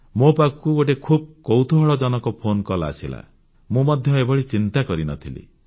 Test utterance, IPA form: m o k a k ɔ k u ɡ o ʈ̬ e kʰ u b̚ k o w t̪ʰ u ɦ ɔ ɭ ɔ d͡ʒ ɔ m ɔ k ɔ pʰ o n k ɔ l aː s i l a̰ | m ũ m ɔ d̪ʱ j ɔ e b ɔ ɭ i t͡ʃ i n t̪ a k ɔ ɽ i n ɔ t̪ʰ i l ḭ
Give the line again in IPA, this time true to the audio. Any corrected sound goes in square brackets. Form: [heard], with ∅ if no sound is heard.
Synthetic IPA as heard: m o [p] a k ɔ k u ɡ o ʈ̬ e kʰ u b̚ k o w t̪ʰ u ɦ ɔ ɭ ɔ d͡ʒ ɔ [n] ɔ k ɔ pʰ o n k ɔ l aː s i l a̰ | m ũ m ɔ d̪ʱ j ɔ e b ɔ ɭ i t͡ʃ i n t̪ a k ɔ [ɾ] i n ɔ t̪ʰ i l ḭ